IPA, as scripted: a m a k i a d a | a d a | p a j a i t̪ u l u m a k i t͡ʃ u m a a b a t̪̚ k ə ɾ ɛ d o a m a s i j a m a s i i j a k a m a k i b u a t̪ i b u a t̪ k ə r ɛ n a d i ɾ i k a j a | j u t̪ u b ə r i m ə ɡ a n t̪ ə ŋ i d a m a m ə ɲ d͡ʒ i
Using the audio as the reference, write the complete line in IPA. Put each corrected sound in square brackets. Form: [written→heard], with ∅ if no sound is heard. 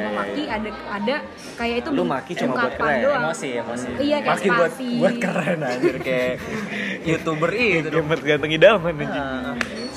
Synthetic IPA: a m a k i a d a | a d a | [p→k] a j a i t̪ u l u m a k i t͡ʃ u m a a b a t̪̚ k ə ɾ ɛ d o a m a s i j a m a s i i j a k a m a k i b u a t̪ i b u a t̪ k ə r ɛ n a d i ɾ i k a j a | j u t̪ u b ə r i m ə ɡ a n t̪ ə ŋ i d a m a m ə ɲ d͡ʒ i